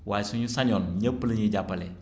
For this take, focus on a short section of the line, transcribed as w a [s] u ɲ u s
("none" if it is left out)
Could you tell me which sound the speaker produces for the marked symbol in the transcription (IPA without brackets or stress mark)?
s